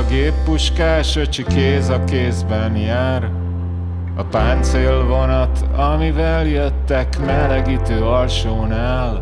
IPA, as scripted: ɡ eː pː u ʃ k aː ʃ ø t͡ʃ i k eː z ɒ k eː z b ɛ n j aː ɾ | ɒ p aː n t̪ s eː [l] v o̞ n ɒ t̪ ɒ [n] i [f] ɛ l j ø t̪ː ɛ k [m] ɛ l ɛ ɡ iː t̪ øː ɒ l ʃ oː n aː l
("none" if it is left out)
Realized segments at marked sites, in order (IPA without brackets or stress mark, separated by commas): l, m, v, m